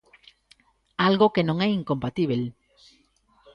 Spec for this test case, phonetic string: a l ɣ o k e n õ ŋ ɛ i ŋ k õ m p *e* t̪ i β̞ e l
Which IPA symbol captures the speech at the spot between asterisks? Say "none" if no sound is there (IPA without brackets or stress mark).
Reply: a